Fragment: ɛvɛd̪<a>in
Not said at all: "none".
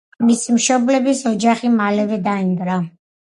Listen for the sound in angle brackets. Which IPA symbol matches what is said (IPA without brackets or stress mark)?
a